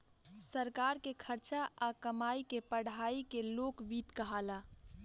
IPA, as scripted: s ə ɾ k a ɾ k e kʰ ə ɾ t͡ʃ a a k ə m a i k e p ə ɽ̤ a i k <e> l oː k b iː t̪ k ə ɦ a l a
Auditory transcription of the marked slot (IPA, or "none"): e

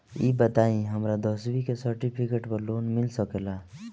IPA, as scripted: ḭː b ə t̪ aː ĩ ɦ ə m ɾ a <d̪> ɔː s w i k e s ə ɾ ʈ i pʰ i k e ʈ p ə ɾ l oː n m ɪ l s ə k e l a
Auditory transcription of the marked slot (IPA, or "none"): d̪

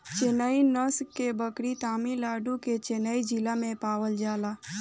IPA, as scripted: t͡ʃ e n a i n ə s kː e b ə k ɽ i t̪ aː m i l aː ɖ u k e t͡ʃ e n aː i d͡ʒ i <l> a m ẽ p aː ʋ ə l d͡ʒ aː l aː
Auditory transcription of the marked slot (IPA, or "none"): l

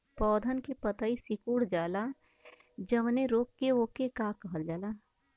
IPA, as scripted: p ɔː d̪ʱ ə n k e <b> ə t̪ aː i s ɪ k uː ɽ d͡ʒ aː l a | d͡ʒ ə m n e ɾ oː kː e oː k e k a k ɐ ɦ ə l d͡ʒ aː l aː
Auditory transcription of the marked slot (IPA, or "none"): p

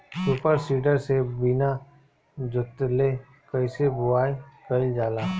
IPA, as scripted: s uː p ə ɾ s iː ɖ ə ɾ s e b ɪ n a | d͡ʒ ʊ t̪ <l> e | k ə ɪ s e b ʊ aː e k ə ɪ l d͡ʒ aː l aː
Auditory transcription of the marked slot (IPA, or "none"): l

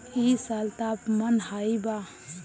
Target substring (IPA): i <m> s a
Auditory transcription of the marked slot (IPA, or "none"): none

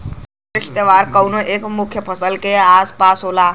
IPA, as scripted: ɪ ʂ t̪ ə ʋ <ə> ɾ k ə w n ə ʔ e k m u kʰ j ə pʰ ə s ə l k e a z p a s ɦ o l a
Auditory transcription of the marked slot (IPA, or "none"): a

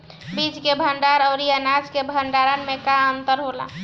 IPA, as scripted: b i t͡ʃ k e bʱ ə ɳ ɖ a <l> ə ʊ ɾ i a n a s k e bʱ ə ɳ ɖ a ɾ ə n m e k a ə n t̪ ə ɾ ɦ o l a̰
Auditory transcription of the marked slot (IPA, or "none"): ɾ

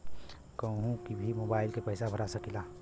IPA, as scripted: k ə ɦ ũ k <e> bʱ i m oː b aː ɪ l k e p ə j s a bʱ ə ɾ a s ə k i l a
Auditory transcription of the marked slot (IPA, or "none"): i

